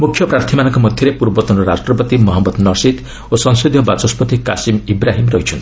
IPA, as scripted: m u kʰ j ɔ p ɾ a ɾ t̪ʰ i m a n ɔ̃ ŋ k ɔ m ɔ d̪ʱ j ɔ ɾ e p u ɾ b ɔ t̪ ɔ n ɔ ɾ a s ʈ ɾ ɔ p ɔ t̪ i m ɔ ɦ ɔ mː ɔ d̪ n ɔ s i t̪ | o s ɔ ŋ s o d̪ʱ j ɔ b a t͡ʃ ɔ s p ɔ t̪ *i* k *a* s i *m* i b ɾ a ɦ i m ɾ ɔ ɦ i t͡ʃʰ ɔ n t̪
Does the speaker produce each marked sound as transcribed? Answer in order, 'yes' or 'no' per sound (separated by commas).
yes, yes, yes